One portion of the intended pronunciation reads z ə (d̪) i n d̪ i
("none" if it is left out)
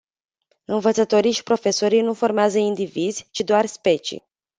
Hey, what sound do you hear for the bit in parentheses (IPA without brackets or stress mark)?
none